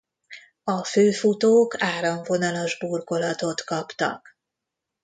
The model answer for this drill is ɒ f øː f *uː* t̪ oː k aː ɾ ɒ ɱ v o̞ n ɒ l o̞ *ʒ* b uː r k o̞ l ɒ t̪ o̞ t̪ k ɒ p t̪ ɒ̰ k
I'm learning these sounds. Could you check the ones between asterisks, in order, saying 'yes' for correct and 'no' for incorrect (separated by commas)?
no, yes